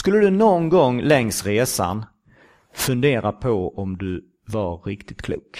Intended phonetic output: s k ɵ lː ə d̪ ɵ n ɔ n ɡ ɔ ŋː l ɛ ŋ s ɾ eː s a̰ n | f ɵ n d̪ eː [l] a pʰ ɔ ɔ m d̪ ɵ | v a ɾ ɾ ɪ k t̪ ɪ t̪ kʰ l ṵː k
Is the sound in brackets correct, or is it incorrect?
incorrect